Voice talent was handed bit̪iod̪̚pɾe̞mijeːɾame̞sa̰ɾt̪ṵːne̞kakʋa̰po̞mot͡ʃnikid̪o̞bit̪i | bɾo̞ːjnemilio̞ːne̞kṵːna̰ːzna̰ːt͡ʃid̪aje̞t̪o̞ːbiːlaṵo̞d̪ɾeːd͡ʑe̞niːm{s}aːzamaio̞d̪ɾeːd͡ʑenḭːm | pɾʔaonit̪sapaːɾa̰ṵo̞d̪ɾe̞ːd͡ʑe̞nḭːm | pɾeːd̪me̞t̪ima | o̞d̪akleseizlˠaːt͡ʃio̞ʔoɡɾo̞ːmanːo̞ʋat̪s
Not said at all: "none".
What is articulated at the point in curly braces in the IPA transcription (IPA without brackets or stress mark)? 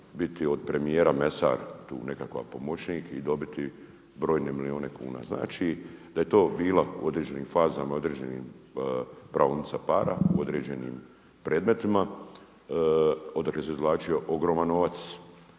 f